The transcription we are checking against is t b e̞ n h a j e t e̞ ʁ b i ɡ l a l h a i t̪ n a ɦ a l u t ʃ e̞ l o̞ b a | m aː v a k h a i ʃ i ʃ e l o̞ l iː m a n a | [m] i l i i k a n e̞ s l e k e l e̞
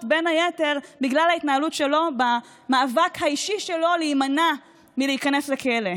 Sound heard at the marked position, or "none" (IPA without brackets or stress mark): m